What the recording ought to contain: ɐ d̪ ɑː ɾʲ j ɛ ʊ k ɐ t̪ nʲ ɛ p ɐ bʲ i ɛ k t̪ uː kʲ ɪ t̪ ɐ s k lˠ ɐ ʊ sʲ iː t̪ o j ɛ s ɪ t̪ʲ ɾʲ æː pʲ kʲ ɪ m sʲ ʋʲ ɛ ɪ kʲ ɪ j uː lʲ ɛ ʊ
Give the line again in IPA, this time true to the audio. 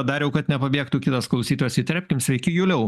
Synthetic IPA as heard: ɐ d̪ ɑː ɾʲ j ɛ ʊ k ɐ t̪ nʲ ɛ p ɐ bʲ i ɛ k t̪ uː kʲ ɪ t̪ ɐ s k lˠ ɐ ʊ sʲ iː t̪ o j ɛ s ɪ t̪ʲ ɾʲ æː pʲ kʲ ɪ m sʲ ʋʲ ɛ ɪ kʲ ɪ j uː lʲ ɛ ʊ